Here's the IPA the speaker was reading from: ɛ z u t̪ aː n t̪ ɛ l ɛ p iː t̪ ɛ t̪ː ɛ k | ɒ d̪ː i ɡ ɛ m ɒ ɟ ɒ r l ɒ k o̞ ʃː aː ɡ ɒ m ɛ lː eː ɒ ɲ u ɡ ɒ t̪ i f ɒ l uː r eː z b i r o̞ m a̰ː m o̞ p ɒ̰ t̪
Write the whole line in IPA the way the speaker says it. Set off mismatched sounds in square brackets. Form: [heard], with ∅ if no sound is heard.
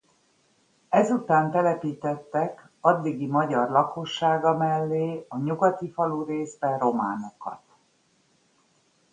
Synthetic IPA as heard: ɛ z u t̪ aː n t̪ ɛ l ɛ p iː t̪ ɛ t̪ː ɛ k | ɒ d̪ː i ɡ [i] m ɒ ɟ ɒ r l ɒ k o̞ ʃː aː ɡ ɒ m ɛ lː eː ɒ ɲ u ɡ ɒ t̪ i f ɒ l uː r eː z b [ɛ] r o̞ m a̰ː [n] o̞ [k] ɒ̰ t̪